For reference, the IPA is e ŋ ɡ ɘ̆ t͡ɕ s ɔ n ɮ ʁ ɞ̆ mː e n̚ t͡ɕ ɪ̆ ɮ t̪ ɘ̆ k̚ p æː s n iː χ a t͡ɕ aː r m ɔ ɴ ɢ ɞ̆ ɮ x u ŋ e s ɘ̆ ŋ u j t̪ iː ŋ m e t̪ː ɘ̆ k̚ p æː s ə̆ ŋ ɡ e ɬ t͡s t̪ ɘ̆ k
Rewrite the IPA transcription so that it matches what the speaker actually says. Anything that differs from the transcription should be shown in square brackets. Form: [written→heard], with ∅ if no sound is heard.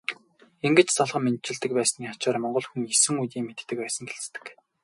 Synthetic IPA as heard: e ŋ ɡ ɘ̆ t͡ɕ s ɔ [n→∅] ɮ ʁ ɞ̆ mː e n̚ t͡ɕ ɪ̆ ɮ t̪ ɘ̆ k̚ p æː s n iː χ a t͡ɕ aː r m ɔ ɴ ɢ ɞ̆ ɮ x u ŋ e s ɘ̆ ŋ u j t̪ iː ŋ m e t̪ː ɘ̆ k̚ p æː s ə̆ ŋ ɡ e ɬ t͡s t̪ ɘ̆ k